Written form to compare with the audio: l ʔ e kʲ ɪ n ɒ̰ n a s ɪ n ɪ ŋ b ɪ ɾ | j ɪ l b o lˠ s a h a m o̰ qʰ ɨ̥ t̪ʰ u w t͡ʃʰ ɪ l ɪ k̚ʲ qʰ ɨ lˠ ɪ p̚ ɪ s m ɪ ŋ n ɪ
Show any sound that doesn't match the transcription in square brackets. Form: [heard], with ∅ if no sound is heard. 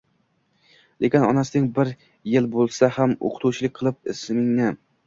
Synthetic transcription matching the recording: l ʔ e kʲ ɪ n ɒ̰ n a s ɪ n ɪ ŋ b ɪ ɾ | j ɪ l b o lˠ s a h a m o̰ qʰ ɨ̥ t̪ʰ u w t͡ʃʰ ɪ l ɪ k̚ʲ qʰ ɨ lˠ ɪ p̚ ɪ s m ɪ ŋ n ɪ